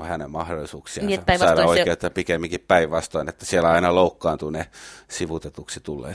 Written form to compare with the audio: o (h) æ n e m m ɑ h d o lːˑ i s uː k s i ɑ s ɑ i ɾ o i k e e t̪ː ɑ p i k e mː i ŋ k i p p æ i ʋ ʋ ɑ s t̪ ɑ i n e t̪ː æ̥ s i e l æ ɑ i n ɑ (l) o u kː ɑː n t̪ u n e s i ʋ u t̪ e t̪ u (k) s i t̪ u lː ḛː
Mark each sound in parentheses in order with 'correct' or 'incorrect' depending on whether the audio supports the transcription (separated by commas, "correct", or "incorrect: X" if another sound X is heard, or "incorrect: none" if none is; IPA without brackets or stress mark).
correct, correct, correct